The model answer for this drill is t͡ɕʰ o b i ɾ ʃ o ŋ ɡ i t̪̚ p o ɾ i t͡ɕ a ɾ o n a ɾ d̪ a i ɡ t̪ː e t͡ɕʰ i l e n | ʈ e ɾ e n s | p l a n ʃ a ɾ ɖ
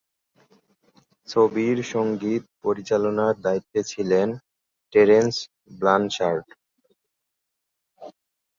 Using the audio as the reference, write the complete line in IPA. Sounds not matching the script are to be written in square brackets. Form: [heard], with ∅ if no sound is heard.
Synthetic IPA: t͡ɕʰ o b i ɾ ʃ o ŋ ɡ i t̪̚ p o ɾ i t͡ɕ a [l] o n a ɾ d̪ a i [∅] t̪ː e t͡ɕʰ i l e n | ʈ e ɾ e n s | [b] l a n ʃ a ɾ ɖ